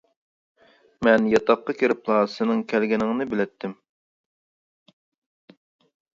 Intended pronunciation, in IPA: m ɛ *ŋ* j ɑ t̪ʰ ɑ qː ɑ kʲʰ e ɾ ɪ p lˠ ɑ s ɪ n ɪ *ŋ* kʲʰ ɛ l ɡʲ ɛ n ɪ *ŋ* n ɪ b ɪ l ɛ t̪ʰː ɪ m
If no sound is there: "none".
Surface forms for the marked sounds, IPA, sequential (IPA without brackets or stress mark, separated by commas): n, ŋ, ŋ